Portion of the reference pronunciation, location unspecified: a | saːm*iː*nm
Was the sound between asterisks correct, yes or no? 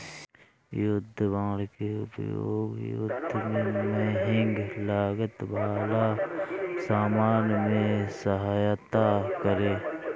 no